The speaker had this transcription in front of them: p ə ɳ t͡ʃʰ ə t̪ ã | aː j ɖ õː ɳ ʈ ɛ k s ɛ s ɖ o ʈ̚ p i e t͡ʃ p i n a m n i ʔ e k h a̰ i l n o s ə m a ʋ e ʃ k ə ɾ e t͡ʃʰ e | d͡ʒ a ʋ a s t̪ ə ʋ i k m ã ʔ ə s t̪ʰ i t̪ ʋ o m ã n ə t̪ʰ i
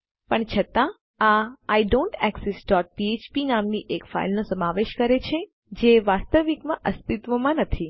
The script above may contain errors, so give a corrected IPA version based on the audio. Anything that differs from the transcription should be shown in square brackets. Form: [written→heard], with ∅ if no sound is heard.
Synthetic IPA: p ə ɳ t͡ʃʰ ə t̪ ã | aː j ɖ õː ɳ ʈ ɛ k s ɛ s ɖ [o→ɔ] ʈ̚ p i e t͡ʃ p i n a m n i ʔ e k [h→f] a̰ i l n o s ə m a ʋ e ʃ k ə ɾ e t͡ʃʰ e | d͡ʒ [a→e] ʋ a s t̪ ə ʋ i k m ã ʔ ə s [t̪ʰ→t̪] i t̪ ʋ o m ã n ə t̪ʰ i